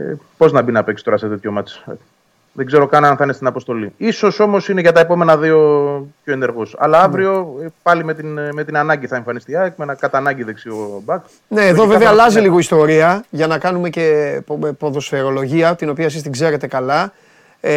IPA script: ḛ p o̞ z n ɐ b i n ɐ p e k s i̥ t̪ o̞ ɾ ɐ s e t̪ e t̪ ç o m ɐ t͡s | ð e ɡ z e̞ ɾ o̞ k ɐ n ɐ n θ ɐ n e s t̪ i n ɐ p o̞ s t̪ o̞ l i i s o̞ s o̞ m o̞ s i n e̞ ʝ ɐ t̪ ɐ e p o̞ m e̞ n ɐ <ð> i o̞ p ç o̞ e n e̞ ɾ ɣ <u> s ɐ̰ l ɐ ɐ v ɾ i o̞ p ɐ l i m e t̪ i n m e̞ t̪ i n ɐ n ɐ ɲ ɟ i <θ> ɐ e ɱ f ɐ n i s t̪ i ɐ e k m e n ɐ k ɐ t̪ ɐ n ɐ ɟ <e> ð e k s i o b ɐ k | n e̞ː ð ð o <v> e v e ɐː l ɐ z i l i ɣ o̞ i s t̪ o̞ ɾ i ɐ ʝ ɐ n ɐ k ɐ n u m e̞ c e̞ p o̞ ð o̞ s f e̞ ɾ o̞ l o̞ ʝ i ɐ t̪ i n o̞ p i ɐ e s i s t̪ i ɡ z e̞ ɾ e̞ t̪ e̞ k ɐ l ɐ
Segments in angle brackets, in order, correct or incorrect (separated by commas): correct, incorrect, correct, incorrect, correct